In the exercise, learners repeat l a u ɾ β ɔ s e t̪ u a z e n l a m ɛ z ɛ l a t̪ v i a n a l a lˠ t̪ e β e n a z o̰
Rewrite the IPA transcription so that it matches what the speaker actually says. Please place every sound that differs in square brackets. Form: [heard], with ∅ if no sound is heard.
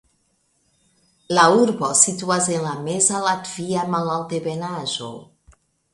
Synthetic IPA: l a u ɾ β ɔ s [i] t̪ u a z e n l a m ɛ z [a] l a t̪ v i a [m] a l a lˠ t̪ e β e n a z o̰